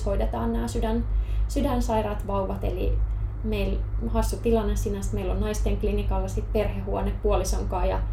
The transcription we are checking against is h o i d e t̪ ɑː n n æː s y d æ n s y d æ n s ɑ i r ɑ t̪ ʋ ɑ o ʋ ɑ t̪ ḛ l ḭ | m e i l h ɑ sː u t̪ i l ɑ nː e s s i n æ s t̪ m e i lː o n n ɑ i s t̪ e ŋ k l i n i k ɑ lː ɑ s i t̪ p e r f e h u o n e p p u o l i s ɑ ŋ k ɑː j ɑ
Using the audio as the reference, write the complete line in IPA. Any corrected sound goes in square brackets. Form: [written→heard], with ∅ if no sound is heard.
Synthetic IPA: h o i d e t̪ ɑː n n æː s y d æ n s y d æ n s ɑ i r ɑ t̪ ʋ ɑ [o→u] ʋ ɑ t̪ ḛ l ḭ | m e i l h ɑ sː u t̪ i l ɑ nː e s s i n æ s t̪ m e i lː o n n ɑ i s t̪ e ŋ k l i n i k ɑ lː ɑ s i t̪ p e r [f→h] e h u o n e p p u o l i s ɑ ŋ k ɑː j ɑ